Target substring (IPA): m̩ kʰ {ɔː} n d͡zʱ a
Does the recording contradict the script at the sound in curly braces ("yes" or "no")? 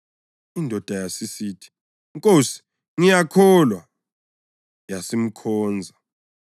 no